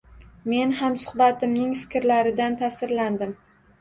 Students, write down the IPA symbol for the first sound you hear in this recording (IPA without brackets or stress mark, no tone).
m